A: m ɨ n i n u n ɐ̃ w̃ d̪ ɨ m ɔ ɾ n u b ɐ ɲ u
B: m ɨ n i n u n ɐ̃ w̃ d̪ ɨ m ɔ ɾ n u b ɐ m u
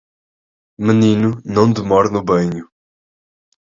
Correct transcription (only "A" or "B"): A